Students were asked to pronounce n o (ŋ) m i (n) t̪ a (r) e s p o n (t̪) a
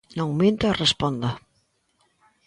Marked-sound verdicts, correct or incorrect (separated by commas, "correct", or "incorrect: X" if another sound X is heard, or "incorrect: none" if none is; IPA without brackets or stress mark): correct, correct, correct, incorrect: d̪